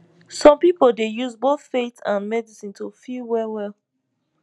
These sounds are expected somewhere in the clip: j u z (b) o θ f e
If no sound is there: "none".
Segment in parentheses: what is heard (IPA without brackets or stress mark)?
b